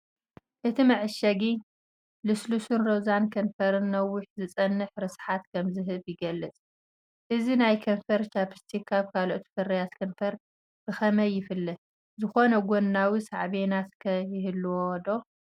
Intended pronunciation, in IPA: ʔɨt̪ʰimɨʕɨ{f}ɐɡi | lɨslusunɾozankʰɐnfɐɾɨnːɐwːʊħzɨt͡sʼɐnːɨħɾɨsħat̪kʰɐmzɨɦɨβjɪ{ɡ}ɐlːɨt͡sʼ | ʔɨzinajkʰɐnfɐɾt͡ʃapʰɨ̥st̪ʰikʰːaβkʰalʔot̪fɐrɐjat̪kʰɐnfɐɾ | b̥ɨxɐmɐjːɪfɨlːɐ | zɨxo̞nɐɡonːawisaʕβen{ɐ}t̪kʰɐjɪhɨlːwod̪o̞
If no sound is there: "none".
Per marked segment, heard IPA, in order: ʃ, ɡ, a

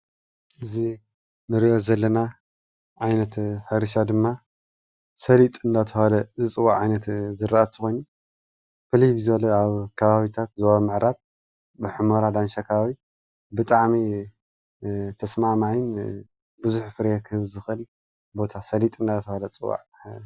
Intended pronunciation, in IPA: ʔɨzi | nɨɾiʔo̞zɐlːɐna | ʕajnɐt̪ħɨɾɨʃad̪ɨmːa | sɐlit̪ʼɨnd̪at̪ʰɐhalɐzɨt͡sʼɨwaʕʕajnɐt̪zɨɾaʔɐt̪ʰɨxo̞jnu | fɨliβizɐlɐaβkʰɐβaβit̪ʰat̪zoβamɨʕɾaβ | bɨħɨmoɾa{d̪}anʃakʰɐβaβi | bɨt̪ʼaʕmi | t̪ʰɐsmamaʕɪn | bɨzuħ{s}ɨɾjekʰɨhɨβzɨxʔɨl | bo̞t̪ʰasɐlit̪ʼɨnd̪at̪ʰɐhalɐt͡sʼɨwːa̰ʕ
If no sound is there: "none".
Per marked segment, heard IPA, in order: d̪, f

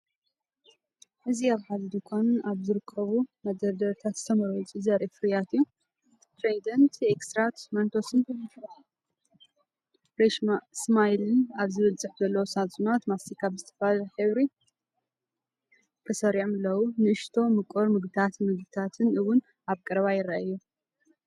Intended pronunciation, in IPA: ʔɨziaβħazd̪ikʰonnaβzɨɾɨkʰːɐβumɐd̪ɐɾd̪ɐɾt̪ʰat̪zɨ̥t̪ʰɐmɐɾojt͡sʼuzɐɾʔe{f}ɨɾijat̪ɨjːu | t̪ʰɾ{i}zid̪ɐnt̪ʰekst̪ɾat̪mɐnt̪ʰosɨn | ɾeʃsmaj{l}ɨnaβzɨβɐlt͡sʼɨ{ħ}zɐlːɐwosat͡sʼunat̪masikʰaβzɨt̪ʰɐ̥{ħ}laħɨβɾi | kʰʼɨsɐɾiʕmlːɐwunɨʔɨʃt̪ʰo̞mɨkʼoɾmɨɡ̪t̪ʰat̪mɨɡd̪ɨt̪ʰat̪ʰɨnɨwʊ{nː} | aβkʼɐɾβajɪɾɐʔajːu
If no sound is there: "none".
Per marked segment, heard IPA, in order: f, e, l, ħ, f, n

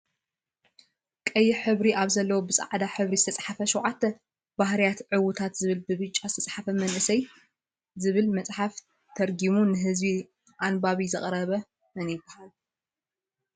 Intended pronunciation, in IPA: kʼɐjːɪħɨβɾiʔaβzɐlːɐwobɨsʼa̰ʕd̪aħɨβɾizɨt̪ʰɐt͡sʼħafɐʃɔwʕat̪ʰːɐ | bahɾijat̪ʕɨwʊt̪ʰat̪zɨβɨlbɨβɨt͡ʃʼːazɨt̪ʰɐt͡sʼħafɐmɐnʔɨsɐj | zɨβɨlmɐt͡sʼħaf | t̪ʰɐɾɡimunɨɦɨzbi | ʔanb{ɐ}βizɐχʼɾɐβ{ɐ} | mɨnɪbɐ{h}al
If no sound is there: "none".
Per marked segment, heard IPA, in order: a, ɐ, h

